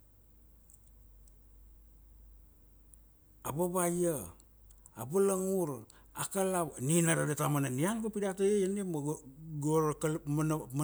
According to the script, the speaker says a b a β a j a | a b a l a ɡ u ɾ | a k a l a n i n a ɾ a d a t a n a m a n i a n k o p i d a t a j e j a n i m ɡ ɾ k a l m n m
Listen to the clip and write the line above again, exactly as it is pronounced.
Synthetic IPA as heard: a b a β a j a | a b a l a ŋ u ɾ | a k a l a n i n a ɾ a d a t a m a n a n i a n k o p i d a t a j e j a n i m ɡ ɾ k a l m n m